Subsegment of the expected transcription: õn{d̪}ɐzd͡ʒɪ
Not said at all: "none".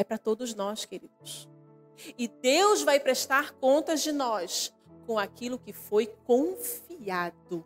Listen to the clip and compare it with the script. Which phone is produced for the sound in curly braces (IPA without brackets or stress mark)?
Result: t̪